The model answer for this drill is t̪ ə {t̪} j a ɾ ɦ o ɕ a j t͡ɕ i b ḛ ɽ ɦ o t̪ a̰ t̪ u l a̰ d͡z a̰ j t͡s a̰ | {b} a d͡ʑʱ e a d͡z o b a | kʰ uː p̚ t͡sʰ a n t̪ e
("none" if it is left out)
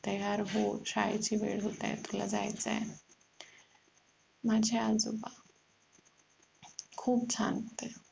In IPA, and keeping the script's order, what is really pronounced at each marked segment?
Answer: none, m

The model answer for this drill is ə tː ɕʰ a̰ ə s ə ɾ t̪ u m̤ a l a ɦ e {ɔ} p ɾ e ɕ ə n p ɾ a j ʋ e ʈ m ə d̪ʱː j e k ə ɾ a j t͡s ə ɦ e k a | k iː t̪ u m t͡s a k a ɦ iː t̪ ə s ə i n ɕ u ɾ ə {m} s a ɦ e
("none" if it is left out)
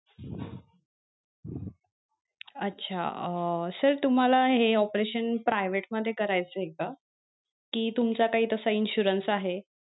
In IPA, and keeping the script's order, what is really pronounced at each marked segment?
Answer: ɔ, n

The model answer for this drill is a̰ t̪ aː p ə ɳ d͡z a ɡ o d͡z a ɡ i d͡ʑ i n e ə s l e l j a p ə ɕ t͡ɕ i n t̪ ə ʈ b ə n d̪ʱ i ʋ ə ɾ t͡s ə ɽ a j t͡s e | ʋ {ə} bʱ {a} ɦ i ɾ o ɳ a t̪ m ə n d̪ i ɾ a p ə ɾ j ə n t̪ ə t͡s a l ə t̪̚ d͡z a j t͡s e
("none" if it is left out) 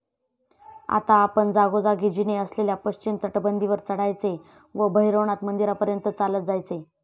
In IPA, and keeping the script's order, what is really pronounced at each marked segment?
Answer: ə, ə

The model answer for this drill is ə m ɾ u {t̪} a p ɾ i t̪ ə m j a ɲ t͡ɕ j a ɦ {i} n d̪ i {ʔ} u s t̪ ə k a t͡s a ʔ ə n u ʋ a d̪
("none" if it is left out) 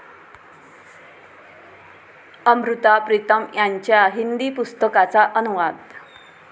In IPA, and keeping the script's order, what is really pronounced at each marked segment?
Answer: t̪, i, p

